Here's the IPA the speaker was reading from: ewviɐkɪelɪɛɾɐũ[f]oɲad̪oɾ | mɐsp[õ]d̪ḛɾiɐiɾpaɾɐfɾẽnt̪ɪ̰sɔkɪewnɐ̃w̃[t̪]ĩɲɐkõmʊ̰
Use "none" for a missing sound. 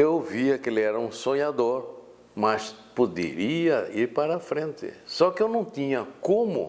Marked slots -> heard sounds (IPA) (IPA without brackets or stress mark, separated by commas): s, o, t̪